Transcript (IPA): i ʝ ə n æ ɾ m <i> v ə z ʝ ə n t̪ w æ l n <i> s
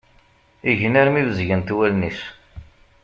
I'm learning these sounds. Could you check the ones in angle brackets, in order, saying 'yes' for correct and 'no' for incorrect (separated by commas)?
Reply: yes, yes